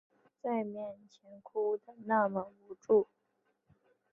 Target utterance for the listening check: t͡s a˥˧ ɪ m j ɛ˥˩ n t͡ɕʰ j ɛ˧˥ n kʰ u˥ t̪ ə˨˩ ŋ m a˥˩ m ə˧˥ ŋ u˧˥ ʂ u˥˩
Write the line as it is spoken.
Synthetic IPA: t͡s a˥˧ ɪ m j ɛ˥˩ n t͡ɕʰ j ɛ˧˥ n kʰ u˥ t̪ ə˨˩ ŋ n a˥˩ m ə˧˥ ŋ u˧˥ ʈ͡ʂ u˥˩